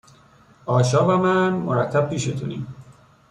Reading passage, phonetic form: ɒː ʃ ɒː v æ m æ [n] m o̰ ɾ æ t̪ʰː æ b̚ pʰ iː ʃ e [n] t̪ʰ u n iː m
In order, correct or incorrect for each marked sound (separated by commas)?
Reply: correct, incorrect